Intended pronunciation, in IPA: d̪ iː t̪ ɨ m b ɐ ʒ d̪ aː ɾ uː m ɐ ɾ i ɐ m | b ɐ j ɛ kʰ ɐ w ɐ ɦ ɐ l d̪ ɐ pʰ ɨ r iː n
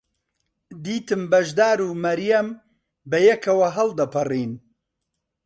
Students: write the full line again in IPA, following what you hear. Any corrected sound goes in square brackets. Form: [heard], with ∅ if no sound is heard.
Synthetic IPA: d̪ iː t̪ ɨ m b ɐ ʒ d̪ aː ɾ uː m ɐ ɾ [j] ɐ m | b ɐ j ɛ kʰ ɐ w ɐ ɦ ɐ l d̪ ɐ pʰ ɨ r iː n